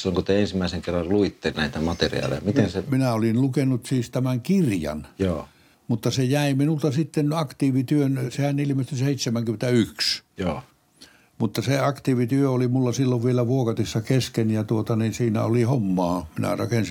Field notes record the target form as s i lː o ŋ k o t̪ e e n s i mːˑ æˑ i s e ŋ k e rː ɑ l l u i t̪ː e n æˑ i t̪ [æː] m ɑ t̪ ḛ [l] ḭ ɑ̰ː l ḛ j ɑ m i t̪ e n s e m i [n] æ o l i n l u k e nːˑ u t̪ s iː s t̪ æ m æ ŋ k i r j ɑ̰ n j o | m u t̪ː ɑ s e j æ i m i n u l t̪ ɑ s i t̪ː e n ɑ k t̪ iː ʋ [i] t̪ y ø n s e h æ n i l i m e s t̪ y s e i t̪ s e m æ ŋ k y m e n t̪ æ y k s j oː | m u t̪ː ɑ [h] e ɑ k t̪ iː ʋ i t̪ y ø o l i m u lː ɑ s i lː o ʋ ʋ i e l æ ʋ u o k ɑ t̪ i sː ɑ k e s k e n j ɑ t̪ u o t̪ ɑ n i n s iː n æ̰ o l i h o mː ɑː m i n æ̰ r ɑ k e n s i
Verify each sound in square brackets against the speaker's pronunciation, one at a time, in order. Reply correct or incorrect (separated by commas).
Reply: incorrect, incorrect, correct, correct, incorrect